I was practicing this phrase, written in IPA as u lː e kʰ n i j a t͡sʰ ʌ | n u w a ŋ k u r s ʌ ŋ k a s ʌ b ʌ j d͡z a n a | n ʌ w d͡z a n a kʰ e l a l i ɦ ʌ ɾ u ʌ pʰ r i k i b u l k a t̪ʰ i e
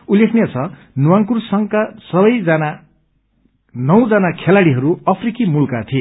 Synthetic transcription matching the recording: u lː e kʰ n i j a t͡sʰ ʌ | n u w a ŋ k u r s ʌ ŋ k a s ʌ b ʌ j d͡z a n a | n ʌ w d͡z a n a kʰ e l a ɽ i ɦ ʌ ɾ u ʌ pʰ r i k i m u l k a t̪ʰ i e